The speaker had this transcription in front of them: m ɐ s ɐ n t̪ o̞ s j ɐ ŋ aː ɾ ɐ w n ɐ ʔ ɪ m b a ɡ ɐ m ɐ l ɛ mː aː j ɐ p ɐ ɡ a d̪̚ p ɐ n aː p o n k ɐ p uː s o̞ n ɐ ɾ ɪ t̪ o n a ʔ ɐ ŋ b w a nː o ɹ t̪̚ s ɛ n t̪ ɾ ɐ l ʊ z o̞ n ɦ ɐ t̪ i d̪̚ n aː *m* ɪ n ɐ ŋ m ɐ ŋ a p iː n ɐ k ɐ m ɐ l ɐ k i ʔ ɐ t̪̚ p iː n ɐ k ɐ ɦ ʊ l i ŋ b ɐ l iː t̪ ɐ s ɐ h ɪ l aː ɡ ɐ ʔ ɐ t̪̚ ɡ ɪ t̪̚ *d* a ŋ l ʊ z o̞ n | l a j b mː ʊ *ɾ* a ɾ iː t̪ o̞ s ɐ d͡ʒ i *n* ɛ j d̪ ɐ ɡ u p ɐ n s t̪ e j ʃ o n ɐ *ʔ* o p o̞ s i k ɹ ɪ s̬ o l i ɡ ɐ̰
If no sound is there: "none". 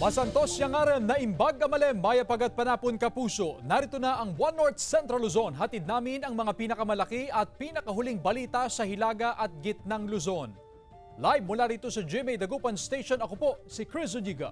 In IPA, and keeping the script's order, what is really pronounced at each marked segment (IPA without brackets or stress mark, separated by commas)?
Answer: m, n, l, m, k